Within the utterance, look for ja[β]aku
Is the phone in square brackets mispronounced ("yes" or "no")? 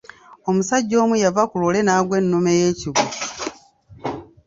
yes